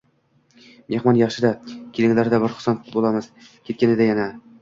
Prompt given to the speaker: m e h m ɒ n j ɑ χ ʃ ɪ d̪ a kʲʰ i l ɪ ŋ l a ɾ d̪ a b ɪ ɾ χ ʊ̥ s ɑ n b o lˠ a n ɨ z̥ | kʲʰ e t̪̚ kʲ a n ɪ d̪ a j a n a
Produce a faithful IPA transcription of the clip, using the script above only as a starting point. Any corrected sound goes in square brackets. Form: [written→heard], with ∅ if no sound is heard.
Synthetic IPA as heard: m e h m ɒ n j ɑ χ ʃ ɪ d̪ a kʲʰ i l ɪ ŋ l a ɾ d̪ a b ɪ ɾ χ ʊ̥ s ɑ n b o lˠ a [n→m] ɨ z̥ | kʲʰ e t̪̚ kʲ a n ɪ d̪ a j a n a